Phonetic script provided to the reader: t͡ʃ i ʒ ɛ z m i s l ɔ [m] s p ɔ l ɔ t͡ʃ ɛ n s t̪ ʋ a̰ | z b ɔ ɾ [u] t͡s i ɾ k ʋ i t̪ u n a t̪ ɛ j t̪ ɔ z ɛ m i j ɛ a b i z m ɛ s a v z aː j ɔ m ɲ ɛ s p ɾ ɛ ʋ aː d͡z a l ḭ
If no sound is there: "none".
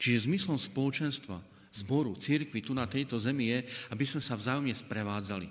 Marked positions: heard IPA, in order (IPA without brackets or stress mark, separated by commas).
m, u